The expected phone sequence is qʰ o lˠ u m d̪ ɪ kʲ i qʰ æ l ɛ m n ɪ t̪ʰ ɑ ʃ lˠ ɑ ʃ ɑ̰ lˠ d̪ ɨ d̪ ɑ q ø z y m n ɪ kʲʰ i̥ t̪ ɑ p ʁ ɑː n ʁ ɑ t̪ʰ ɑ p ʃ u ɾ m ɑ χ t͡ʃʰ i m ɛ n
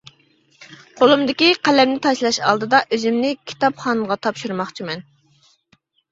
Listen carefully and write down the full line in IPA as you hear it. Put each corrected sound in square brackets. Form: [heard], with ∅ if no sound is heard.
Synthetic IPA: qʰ o lˠ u m d̪ ɪ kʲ i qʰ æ l ɛ m n ɪ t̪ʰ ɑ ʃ lˠ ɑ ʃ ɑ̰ lˠ d̪ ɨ d̪ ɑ [ʔ] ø z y m n ɪ kʲʰ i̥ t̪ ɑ p [χ] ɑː n ʁ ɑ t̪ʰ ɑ p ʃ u ɾ m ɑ χ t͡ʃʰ i m ɛ n